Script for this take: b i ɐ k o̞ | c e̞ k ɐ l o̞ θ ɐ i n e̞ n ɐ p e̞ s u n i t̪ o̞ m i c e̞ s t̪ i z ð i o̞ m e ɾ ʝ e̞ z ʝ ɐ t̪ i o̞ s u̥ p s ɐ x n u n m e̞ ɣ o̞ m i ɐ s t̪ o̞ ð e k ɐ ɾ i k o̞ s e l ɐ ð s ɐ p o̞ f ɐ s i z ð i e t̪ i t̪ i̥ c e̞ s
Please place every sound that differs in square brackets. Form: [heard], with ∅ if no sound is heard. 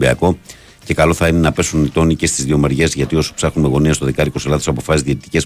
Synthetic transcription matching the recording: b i ɐ k o̞ | c e̞ k ɐ l o̞ θ ɐ i n e̞ n ɐ p e̞ s u n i t̪ o̞ [n] i c e̞ s t̪ i z ð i o̞ m e ɾ ʝ e̞ z ʝ ɐ t̪ i o̞ s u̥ p s ɐ x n u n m e̞ ɣ o̞ [n] i ɐ s t̪ o̞ ð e k ɐ ɾ i k o̞ s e l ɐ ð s ɐ p o̞ f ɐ s i z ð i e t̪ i t̪ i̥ c e̞ s